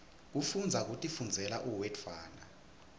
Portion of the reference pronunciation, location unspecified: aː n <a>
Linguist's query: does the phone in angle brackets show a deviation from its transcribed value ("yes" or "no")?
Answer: no